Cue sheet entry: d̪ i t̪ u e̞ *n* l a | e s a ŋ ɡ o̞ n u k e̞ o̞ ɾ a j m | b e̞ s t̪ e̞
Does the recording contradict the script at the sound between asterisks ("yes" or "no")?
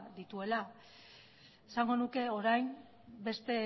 yes